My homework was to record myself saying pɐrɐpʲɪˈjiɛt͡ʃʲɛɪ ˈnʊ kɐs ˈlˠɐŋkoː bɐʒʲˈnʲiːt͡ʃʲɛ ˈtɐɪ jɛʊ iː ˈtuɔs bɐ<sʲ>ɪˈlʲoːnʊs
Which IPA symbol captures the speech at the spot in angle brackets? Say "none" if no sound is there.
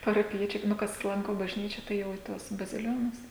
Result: zʲ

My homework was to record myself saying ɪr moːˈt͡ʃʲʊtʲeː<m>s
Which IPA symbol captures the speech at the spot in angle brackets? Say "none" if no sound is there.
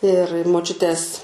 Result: none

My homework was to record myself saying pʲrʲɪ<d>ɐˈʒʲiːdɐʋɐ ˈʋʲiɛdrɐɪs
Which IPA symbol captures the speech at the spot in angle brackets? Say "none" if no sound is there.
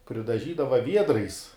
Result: d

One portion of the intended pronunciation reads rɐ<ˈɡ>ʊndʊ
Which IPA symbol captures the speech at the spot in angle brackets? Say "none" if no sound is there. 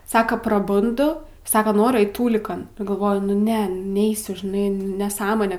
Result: b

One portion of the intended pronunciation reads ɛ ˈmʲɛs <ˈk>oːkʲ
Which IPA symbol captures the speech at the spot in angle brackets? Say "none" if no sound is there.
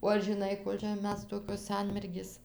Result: t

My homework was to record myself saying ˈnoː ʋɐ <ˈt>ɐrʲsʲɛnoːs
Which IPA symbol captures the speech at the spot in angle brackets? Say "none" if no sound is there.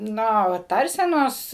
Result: t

